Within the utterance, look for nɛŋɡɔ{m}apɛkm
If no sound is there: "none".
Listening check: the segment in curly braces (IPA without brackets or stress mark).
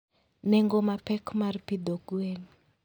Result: m